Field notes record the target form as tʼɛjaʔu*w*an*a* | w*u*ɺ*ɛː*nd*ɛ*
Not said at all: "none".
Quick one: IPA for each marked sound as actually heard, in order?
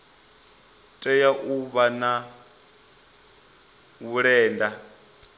β, a, u, ɛː, a

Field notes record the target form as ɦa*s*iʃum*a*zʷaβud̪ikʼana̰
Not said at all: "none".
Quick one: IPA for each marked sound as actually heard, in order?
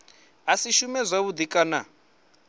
s, ɛ

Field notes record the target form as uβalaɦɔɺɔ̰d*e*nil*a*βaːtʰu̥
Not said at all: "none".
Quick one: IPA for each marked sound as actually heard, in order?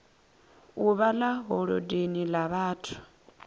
e, a

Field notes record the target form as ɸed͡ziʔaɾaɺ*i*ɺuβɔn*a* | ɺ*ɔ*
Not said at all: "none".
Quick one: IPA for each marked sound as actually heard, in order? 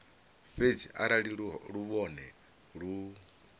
i, ɛ, u

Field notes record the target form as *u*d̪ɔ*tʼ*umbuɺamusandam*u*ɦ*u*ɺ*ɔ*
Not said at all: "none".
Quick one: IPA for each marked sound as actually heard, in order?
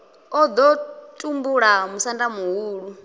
ɔ, tʼ, u, uː, u

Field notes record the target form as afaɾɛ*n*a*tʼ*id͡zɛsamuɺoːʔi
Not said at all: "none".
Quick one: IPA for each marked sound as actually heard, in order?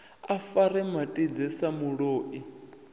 m, tʼ

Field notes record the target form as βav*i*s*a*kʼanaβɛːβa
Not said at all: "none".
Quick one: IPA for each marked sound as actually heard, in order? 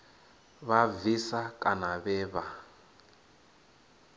i, a

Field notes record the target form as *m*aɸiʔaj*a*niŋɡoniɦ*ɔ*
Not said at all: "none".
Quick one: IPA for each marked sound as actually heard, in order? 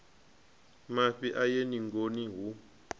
m, e, u

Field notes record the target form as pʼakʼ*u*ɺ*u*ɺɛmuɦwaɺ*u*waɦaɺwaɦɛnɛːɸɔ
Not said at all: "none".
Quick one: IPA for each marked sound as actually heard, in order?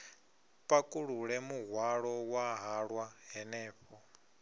u, u, ɔ

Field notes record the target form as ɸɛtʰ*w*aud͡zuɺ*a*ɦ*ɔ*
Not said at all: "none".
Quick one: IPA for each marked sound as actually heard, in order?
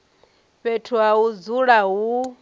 u, a, u

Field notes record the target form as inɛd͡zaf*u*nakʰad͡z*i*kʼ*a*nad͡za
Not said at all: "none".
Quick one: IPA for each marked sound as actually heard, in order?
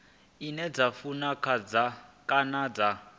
u, a, a

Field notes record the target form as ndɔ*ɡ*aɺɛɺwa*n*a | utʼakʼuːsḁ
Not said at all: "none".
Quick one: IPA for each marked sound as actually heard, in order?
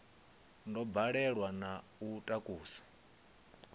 b, n

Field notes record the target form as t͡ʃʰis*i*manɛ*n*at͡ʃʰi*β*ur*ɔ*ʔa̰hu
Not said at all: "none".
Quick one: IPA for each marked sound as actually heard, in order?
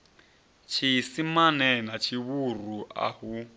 i, n, β, u

